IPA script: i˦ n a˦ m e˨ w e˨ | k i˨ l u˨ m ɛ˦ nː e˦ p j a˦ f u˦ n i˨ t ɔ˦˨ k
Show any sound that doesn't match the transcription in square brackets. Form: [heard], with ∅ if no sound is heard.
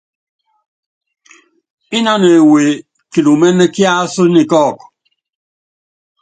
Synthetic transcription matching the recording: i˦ n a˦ [n] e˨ w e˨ | k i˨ l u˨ m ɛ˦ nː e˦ [k] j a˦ [s] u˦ n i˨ [k] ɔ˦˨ k